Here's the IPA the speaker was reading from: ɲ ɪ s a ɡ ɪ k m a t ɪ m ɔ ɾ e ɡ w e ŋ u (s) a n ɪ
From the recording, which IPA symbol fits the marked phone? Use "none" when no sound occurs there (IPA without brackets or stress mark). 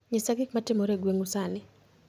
s